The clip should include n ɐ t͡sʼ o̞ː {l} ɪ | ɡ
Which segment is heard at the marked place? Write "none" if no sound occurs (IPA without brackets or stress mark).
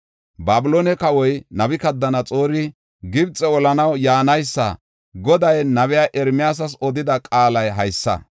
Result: ɾ